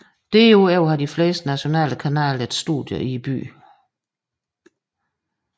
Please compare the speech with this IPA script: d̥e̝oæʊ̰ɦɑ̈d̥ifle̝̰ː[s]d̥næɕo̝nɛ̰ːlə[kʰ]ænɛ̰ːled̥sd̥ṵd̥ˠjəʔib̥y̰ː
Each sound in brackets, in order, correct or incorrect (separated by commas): correct, correct